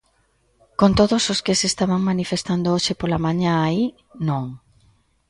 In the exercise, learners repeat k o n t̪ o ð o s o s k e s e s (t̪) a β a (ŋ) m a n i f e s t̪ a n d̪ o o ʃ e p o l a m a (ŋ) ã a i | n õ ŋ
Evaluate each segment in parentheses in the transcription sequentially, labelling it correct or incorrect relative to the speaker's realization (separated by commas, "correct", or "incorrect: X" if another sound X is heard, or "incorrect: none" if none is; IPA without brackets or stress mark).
correct, correct, incorrect: ɲ